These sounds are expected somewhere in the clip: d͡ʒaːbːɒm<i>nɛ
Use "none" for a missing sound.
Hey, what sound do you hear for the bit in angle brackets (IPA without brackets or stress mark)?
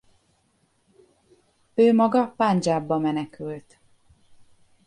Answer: ɛ